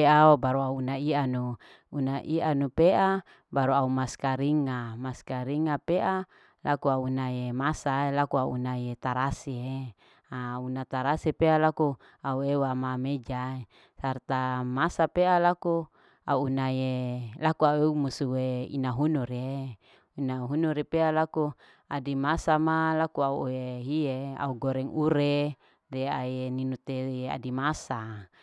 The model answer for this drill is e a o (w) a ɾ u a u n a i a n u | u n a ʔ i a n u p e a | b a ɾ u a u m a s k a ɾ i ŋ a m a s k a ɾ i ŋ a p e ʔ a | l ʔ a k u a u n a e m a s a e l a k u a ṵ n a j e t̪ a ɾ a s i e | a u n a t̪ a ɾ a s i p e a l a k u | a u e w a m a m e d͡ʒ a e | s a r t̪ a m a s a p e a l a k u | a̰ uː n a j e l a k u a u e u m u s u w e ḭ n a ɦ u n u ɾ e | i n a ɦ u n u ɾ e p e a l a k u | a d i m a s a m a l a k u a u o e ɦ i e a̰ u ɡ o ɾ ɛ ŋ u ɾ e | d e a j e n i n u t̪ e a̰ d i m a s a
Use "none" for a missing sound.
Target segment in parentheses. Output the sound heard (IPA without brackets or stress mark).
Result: b